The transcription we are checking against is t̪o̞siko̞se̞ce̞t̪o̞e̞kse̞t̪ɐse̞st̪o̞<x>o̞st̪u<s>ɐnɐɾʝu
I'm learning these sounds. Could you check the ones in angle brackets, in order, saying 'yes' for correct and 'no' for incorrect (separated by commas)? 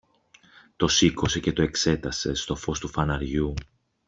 no, no